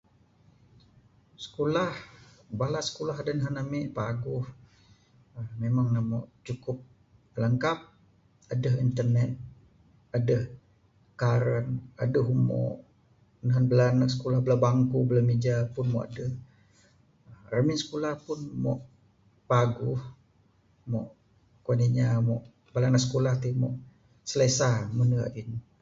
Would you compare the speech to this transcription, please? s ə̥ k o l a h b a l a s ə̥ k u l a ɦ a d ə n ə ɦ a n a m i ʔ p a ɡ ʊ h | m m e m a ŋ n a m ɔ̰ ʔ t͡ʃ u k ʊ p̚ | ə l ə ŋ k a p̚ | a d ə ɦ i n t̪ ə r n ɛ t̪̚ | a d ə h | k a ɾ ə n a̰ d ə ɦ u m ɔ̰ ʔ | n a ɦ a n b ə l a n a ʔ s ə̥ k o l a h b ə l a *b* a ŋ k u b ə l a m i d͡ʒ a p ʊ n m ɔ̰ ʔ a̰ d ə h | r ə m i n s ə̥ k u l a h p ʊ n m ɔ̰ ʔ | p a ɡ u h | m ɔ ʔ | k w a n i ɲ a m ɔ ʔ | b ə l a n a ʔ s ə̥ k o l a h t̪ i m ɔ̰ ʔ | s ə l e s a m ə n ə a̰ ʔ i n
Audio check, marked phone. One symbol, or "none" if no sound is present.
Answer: b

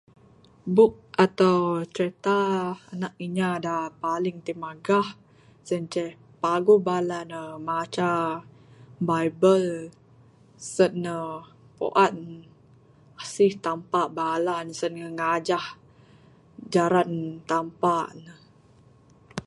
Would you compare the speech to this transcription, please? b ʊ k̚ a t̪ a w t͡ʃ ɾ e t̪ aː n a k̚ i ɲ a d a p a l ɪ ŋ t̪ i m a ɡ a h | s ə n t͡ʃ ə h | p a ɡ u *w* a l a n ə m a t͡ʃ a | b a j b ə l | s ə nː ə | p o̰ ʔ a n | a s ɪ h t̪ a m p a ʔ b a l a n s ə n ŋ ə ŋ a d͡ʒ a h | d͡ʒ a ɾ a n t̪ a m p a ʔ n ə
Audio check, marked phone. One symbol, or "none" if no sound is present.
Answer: b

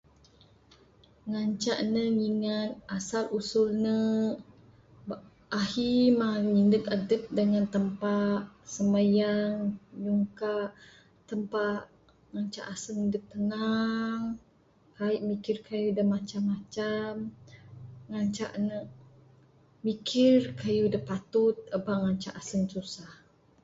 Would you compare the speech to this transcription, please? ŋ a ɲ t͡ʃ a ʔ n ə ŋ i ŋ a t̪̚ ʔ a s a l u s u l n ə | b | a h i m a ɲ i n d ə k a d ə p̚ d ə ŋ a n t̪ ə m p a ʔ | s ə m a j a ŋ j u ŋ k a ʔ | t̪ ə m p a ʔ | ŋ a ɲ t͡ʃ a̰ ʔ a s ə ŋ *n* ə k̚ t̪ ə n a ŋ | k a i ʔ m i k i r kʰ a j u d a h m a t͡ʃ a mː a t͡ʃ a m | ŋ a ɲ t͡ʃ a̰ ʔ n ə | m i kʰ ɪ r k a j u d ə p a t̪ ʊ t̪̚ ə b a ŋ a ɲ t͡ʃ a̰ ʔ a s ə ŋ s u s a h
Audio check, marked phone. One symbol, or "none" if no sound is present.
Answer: d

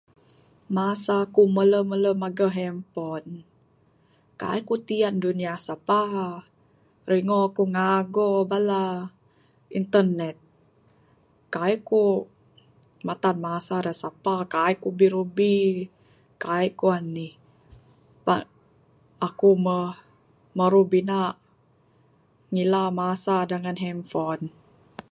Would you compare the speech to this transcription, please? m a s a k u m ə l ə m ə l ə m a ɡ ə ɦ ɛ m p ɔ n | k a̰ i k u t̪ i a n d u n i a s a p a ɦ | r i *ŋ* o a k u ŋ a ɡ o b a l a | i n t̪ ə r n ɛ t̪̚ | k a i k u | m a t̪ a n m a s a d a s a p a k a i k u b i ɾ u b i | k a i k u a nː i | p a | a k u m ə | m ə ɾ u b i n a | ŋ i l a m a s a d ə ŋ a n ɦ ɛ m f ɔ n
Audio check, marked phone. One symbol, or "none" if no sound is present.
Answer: ŋ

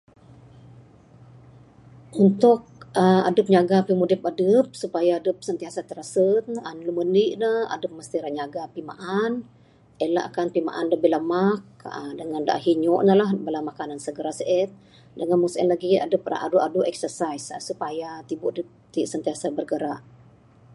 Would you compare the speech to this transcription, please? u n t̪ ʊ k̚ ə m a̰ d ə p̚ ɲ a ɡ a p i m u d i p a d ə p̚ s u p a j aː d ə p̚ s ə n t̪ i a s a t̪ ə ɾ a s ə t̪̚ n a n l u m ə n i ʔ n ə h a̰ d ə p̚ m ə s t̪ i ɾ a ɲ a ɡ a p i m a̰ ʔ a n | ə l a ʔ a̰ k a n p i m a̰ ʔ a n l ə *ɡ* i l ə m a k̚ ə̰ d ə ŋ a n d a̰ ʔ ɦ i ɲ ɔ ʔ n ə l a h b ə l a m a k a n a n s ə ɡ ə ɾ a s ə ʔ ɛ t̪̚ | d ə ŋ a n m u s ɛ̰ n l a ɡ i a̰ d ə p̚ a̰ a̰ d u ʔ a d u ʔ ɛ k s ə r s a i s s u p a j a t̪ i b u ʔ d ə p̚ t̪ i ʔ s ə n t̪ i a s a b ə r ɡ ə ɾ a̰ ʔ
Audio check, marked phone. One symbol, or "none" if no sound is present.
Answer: b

